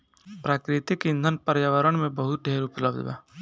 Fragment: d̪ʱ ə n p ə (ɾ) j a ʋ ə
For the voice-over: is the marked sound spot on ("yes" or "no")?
yes